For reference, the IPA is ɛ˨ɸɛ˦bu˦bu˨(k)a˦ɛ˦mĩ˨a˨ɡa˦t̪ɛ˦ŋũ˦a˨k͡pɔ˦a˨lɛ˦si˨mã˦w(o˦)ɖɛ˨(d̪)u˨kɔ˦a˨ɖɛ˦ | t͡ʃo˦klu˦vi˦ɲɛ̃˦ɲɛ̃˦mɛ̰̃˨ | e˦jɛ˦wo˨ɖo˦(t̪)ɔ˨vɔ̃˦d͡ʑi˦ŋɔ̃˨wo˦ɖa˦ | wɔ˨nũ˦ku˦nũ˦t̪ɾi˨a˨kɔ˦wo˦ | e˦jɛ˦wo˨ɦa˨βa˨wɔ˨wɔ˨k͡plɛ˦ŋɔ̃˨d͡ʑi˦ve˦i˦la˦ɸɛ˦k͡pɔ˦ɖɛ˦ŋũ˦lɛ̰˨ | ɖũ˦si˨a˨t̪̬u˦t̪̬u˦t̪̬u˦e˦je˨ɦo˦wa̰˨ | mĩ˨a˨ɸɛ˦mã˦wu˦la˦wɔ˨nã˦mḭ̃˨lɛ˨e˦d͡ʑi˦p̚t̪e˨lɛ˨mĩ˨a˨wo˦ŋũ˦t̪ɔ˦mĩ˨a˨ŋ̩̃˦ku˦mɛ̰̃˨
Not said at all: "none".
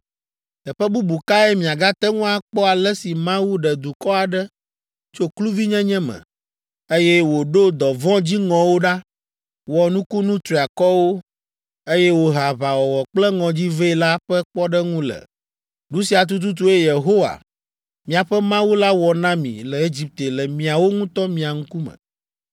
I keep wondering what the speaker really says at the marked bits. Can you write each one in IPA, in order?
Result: k, u˦, d̪, d̪

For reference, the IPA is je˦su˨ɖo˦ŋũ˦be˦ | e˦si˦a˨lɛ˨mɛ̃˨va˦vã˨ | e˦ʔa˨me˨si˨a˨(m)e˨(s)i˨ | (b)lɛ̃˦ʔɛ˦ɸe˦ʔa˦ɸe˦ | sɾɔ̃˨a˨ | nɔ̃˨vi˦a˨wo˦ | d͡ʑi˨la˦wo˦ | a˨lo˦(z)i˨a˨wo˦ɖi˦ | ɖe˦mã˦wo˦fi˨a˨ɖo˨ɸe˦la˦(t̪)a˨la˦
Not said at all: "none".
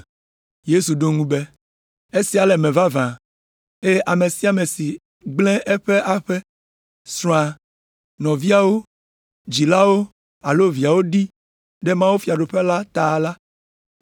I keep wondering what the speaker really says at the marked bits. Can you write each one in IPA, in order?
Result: m, s, ɡ͡b, v, t̪

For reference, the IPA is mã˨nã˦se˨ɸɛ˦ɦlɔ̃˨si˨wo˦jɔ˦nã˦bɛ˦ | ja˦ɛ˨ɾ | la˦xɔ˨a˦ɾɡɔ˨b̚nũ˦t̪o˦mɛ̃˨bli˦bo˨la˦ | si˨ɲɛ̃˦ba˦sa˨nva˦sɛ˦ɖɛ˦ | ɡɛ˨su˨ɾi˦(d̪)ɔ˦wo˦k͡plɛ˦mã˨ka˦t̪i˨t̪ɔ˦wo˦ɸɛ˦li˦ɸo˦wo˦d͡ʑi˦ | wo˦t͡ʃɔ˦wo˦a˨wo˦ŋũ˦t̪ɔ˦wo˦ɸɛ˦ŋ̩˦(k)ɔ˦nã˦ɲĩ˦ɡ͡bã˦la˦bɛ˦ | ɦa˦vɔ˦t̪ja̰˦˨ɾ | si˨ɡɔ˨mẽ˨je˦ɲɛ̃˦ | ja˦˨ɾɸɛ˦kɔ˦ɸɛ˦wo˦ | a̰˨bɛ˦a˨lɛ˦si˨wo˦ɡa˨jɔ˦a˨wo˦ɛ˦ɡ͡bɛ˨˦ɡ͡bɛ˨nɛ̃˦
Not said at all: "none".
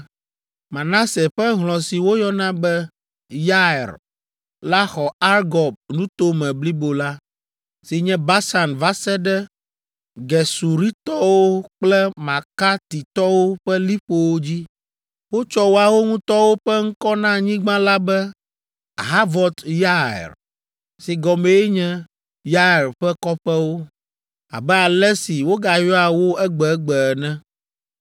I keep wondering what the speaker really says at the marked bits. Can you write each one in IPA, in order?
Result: t̪, k

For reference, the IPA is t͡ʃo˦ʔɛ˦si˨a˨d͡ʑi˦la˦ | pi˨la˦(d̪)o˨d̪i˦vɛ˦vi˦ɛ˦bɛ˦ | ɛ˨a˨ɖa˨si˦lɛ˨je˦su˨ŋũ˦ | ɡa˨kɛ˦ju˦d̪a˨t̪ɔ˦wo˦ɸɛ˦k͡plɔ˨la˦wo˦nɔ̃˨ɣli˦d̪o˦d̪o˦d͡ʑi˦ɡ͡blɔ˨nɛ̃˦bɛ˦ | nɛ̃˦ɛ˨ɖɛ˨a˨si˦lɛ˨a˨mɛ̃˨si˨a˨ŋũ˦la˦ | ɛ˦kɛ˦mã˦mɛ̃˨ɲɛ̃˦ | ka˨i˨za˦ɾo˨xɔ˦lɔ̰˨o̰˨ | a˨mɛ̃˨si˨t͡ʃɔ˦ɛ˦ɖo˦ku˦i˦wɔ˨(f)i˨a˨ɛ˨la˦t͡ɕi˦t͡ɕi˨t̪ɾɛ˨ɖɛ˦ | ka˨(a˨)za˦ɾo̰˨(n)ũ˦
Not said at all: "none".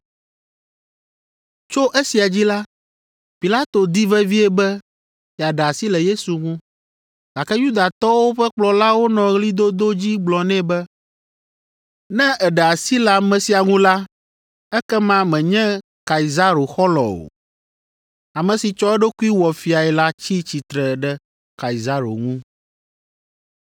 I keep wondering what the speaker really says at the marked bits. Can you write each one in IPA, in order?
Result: t̪, f, i˨, ŋ

